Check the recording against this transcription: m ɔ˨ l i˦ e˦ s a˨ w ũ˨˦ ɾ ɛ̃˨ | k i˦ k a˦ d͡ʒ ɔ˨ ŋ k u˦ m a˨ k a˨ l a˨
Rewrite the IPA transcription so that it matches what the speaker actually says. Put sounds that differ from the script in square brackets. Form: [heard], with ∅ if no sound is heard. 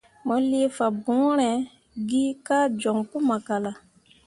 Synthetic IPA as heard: m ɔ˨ l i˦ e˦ [f] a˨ [b] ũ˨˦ ɾ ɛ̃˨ | [ɡ] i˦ k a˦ d͡ʒ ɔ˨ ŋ k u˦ m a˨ k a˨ l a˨